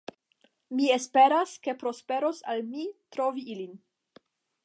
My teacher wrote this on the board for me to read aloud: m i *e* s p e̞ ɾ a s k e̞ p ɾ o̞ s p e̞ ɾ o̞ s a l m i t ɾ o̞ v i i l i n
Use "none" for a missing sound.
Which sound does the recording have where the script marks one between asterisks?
e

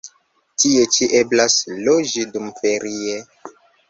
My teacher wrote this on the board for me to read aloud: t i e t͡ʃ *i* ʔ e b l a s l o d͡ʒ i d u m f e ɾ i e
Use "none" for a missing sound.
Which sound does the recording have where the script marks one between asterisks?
i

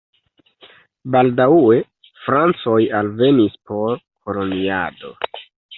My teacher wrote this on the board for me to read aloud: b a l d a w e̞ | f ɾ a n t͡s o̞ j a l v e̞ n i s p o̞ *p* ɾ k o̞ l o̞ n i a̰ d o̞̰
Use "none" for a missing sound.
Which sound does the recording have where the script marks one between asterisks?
none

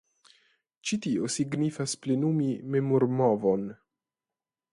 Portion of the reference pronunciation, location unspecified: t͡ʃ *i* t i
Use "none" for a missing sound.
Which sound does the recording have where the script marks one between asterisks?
i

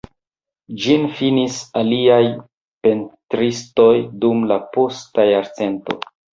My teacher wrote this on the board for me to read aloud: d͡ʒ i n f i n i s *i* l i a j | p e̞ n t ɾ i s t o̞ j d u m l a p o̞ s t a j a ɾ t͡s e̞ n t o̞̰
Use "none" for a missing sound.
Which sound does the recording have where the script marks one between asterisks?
a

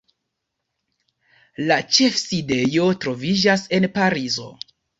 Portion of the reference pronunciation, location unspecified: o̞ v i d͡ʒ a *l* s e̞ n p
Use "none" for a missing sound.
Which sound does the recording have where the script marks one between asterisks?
none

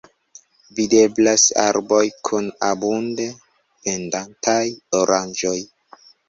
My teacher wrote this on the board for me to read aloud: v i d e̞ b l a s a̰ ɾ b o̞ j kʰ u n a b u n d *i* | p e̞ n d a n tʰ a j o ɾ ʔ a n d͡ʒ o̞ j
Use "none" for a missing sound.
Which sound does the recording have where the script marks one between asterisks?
e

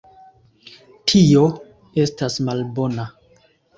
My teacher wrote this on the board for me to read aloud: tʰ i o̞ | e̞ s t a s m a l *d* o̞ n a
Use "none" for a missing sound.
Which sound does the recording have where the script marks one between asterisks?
b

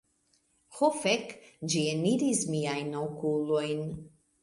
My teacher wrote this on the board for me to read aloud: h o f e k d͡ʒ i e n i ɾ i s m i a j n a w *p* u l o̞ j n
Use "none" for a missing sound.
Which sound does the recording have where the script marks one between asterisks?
k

